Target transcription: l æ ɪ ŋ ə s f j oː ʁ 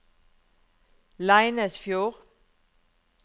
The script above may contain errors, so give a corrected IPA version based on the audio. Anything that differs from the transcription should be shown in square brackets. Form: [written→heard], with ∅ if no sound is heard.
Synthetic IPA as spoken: l [æ→a] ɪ [ŋ→n] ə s f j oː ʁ